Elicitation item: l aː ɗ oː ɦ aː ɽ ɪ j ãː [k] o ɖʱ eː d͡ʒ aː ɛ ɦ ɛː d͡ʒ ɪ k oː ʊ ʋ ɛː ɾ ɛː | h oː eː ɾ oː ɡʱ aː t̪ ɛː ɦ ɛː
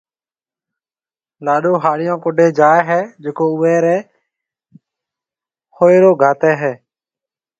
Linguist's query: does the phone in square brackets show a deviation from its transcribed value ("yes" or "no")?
no